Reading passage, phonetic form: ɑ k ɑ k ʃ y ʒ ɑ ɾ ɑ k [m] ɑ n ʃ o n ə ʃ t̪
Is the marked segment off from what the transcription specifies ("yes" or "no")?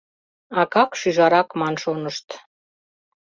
no